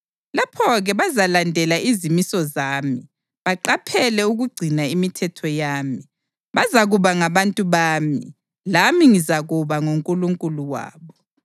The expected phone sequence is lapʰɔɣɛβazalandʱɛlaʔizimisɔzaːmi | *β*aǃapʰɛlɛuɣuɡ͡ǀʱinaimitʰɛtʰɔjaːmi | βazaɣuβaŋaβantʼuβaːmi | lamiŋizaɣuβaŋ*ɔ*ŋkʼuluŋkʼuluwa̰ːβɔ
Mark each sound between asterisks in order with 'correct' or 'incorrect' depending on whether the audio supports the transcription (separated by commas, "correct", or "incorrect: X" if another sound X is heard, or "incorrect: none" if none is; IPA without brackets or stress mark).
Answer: correct, incorrect: o